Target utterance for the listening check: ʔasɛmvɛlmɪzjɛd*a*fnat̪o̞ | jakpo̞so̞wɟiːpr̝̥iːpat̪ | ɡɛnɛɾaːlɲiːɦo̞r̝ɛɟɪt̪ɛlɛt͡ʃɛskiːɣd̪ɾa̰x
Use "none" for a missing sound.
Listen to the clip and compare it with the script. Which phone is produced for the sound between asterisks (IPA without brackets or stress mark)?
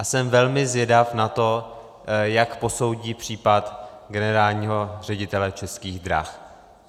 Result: a